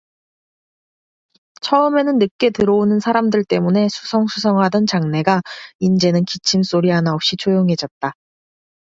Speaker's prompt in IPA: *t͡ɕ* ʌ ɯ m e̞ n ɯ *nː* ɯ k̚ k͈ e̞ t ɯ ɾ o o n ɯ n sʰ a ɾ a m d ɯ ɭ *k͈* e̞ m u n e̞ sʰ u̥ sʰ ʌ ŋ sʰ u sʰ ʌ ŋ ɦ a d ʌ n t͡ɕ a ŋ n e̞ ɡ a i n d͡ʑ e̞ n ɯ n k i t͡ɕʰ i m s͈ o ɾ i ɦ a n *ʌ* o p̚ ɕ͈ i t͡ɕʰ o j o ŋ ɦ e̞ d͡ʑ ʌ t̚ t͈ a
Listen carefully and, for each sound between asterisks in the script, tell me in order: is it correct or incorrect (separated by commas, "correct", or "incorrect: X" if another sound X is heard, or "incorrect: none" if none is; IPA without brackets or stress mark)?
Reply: incorrect: t͡ɕʰ, correct, incorrect: t͈, incorrect: a